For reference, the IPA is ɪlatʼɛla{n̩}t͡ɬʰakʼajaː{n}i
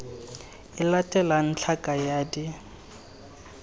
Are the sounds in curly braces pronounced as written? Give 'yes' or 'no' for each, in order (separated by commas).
yes, no